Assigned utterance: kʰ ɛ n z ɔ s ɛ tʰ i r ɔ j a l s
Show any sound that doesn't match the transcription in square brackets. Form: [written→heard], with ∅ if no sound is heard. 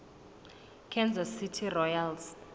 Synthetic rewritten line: kʰ ɛ n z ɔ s [ɛ→i] tʰ i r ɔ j a l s